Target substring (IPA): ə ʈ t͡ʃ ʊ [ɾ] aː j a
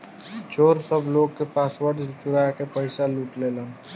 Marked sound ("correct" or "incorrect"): correct